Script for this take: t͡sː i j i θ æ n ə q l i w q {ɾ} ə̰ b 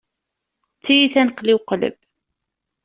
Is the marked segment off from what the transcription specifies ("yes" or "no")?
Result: yes